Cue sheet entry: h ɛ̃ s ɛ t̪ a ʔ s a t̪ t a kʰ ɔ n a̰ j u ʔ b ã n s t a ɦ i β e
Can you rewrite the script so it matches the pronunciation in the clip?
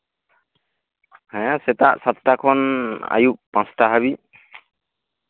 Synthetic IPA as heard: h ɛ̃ s ɛ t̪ a ʔ s a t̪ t a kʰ ɔ n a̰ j u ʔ p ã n s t a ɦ a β i